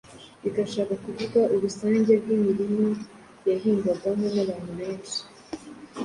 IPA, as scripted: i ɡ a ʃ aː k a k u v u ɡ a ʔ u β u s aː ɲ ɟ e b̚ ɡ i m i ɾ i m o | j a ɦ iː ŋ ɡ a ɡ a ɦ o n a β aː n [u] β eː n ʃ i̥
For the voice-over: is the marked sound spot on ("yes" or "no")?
yes